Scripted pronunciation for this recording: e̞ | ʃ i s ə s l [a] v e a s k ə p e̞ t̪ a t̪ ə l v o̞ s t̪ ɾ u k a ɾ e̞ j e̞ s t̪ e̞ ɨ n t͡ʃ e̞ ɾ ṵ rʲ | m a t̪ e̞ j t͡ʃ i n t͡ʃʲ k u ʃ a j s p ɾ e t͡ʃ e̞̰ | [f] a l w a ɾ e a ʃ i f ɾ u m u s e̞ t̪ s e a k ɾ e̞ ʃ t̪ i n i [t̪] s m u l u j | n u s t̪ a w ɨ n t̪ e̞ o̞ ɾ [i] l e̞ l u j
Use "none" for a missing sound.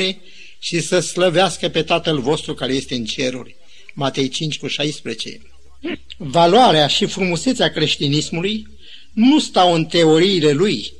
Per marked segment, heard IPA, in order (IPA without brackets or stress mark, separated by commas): ə, v, none, iː